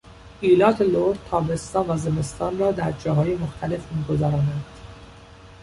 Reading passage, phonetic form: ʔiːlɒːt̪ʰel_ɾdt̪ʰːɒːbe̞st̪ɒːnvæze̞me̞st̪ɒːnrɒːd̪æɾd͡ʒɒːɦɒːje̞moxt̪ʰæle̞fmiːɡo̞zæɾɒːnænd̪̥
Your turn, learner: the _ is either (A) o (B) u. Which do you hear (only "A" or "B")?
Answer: A